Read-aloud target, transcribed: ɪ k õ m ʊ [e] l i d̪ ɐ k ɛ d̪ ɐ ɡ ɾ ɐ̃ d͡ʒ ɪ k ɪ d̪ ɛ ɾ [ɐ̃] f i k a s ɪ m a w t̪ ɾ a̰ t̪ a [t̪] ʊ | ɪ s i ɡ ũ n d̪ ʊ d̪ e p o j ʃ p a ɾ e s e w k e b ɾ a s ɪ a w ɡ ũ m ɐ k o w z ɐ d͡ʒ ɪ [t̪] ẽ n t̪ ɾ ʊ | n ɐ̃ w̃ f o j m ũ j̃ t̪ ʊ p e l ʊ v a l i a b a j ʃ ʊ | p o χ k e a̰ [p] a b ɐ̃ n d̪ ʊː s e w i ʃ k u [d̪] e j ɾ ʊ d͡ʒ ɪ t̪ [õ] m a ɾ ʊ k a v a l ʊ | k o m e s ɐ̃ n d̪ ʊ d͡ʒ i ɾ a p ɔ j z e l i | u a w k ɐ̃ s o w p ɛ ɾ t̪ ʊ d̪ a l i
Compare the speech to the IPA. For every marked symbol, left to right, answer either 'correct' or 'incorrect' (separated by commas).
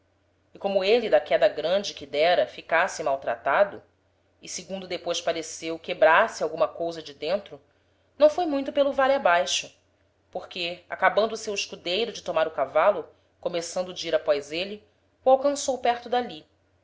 correct, incorrect, incorrect, incorrect, incorrect, correct, incorrect